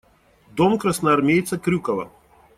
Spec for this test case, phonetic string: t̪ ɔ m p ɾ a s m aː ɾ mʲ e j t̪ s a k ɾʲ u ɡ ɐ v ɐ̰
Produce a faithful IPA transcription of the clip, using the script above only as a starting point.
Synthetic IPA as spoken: d̪ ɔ m k ɾ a s n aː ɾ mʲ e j t̪ s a k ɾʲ u k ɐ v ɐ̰